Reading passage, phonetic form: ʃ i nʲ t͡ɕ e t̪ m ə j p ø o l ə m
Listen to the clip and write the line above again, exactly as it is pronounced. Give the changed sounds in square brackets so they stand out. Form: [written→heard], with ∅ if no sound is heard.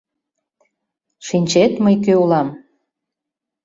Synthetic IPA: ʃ i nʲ t͡ɕ e t̪ m ə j [p→k] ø [o→u] l [ə→ɑ] m